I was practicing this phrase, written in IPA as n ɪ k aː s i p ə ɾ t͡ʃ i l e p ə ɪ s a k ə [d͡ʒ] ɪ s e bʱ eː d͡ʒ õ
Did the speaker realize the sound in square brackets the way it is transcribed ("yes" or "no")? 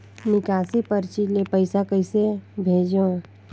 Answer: no